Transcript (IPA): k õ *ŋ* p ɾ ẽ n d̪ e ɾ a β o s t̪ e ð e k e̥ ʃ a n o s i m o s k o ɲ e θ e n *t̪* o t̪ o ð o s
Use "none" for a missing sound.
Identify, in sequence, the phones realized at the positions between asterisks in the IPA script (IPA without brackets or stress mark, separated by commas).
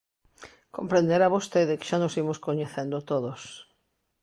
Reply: m, d̪